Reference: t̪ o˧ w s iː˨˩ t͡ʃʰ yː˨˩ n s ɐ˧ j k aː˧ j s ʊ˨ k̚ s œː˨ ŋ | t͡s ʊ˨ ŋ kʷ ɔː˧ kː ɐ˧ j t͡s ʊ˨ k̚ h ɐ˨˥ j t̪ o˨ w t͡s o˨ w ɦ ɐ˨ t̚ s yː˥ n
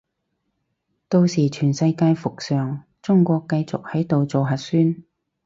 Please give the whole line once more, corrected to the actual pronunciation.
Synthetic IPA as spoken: t̪ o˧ w s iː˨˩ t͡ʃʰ yː˨˩ n s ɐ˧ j k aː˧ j f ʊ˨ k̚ s œː˨ ŋ | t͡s ʊ˥ ŋ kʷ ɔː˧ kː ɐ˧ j t͡s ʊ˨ k̚ h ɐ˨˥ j t̪ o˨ w t͡s o˨ w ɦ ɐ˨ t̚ s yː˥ n